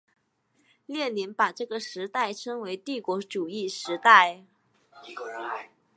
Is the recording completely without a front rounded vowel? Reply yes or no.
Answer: yes